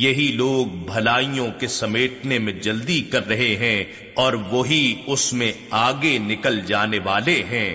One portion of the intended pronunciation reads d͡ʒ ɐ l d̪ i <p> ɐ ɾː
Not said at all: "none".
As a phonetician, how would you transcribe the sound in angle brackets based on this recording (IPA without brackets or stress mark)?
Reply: k